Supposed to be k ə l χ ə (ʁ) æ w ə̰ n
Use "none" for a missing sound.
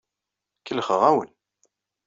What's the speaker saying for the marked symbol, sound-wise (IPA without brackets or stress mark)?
ʁ